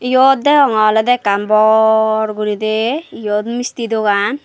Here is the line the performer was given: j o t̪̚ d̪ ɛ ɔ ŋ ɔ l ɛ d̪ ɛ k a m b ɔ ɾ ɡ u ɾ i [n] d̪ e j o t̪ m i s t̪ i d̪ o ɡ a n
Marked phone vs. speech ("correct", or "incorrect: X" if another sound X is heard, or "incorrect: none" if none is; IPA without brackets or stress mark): incorrect: none